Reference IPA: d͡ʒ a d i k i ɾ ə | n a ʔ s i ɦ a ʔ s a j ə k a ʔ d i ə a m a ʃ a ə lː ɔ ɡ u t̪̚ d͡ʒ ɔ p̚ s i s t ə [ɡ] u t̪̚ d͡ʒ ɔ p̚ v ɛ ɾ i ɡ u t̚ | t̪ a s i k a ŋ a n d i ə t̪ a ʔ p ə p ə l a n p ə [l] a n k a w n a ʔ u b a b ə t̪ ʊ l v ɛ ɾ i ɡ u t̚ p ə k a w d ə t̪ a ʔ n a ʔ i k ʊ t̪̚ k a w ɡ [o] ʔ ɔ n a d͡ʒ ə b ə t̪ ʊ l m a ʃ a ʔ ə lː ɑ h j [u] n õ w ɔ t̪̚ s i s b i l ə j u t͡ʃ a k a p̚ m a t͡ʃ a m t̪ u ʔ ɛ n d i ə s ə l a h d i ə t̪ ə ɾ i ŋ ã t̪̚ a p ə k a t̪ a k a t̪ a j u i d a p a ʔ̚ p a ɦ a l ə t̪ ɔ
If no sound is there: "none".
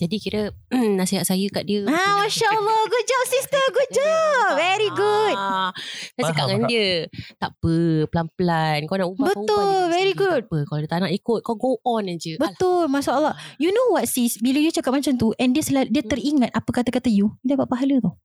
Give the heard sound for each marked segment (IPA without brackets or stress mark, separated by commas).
ɡ, l, o, u